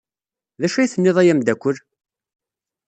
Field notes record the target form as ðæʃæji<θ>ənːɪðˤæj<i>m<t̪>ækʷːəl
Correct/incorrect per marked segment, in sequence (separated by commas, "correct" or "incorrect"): correct, incorrect, incorrect